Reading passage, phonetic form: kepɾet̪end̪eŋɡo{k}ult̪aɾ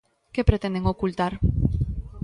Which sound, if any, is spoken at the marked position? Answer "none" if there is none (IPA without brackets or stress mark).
k